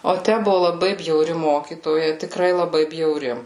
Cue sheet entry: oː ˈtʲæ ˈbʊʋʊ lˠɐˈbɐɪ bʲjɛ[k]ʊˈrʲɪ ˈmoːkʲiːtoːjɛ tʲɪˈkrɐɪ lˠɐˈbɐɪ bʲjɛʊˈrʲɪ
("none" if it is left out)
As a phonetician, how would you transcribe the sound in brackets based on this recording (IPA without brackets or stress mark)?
none